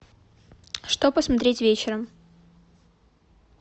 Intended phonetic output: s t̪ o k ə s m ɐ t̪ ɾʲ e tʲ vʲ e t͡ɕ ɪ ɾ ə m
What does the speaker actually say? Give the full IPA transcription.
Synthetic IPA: ʂ t̪ o p ə s m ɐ t̪ ɾʲ e tʲ vʲ e t͡ɕ ɪ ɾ ə m